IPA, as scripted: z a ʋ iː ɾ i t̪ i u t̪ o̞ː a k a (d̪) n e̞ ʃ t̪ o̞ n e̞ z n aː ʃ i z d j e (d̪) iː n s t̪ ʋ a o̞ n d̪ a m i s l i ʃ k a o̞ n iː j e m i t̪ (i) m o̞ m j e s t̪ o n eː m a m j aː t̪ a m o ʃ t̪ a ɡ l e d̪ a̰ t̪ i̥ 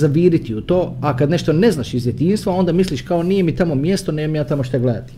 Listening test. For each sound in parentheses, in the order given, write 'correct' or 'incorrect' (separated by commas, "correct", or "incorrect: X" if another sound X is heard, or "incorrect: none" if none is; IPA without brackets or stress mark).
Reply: correct, incorrect: t̪, incorrect: a